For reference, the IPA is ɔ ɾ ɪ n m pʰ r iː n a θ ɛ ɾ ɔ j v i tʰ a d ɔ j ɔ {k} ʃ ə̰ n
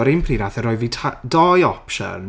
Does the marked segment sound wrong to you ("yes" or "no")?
yes